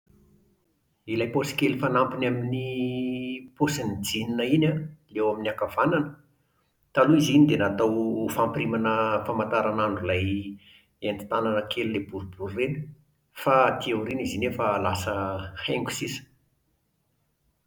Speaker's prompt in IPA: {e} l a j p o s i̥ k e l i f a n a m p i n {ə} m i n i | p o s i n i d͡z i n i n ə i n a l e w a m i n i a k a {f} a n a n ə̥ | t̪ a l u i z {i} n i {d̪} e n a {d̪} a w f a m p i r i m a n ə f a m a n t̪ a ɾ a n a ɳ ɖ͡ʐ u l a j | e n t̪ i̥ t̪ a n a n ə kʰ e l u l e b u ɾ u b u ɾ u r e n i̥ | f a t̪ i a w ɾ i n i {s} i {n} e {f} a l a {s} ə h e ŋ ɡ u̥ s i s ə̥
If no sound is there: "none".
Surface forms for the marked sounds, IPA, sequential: i, a, v, i, d̪, t̪, z, n, f, s

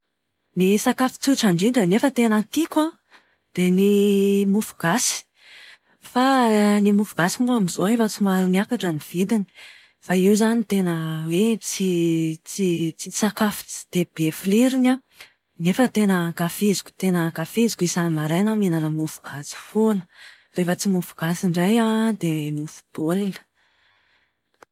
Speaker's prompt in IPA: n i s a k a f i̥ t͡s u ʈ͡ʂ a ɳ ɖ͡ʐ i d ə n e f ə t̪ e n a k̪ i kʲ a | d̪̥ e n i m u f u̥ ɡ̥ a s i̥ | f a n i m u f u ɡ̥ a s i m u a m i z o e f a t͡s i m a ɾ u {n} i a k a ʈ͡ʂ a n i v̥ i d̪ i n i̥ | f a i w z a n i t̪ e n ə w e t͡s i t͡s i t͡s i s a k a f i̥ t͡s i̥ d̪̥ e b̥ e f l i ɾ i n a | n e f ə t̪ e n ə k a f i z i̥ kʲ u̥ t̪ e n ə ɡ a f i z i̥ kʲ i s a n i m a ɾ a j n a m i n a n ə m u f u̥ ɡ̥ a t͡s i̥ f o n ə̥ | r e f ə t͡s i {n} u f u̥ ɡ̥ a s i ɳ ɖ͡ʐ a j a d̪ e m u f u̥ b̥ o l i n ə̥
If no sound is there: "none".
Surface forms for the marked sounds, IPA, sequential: n, m

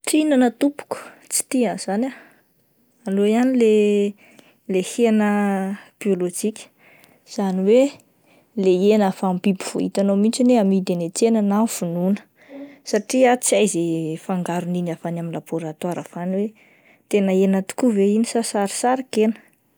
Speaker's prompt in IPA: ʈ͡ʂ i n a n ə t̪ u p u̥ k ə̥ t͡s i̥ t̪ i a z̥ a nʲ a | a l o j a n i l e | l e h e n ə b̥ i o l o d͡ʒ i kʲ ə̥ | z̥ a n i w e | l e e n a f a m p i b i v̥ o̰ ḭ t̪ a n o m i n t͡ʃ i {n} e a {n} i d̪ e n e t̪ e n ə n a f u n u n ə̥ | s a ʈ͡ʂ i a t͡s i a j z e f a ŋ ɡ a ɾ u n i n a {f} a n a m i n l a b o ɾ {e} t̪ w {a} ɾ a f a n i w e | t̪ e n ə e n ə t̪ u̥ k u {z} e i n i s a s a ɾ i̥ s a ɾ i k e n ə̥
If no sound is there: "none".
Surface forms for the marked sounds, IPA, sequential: n, m, f, a, a, v

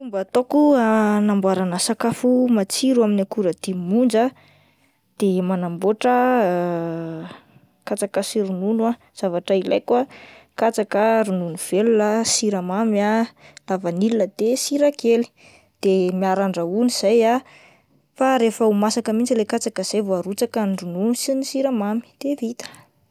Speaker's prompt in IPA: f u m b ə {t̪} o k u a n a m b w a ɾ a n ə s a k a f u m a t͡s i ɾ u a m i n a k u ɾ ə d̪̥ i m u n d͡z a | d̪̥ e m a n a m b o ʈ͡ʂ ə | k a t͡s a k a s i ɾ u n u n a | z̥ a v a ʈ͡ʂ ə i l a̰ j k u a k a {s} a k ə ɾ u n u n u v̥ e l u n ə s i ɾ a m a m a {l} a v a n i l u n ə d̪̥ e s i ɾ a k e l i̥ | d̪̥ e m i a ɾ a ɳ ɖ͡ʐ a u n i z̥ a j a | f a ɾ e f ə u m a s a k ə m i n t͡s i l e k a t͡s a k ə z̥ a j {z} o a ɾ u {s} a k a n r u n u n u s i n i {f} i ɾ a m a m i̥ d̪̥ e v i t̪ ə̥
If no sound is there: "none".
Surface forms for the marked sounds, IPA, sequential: t̪, t͡s, l, v, t͡s, s

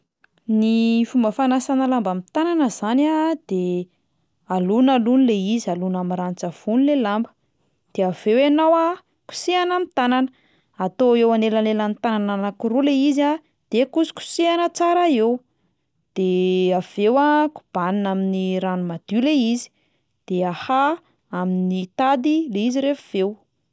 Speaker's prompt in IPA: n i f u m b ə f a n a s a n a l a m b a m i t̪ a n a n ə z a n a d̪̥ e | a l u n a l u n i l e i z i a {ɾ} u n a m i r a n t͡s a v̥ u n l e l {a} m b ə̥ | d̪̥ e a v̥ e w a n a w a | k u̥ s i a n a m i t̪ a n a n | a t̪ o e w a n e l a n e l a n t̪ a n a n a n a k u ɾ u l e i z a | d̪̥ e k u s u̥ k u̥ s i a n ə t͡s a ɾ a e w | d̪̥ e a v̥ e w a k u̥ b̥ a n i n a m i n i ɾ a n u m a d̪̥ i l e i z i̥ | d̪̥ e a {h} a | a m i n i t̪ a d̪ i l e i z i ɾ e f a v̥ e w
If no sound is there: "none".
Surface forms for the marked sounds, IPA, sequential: l, a, h

